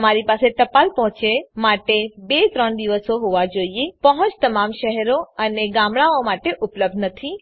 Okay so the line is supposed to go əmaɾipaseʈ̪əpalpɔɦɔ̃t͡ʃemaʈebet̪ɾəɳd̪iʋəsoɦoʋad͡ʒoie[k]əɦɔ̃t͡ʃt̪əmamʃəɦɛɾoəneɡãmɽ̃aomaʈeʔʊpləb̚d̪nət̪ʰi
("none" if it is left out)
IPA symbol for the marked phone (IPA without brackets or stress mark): p